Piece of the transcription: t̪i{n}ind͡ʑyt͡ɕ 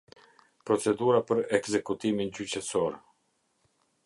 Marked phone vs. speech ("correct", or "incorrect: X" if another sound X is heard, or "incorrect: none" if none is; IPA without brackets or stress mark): incorrect: m